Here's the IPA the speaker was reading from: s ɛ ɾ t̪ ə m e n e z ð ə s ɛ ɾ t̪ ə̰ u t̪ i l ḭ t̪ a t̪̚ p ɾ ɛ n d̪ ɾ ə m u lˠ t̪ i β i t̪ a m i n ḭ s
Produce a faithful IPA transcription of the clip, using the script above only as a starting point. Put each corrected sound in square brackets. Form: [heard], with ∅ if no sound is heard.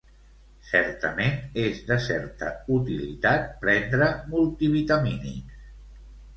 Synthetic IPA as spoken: s ɛ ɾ t̪ ə m e n e z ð ə s ɛ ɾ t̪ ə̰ u t̪ i l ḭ t̪ a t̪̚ p ɾ ɛ n d̪ ɾ ə m u lˠ t̪ i β i t̪ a m i n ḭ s